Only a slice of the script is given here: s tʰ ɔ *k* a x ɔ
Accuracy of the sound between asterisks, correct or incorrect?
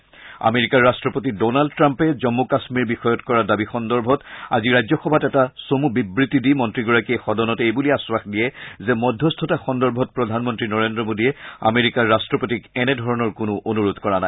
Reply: incorrect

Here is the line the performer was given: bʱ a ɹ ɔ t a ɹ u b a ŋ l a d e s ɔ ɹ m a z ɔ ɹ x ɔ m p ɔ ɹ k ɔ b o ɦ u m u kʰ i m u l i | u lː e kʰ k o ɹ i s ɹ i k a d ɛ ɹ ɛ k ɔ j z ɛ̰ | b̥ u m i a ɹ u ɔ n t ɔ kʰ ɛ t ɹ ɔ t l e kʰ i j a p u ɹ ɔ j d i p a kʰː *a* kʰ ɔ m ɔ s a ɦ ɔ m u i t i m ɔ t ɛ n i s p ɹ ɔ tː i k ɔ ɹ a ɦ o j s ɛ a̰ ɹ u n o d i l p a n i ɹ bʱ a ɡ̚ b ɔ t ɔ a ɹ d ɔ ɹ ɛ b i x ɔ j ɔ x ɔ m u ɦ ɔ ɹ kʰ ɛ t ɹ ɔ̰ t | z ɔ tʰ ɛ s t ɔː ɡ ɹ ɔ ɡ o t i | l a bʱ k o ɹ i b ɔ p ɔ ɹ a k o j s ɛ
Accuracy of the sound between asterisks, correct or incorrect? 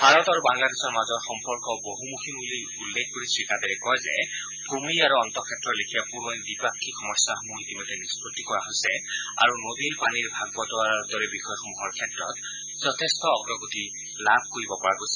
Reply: incorrect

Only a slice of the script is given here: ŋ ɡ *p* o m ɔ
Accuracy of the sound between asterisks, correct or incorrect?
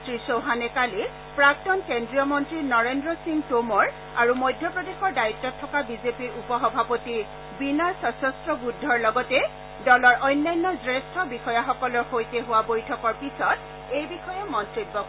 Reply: incorrect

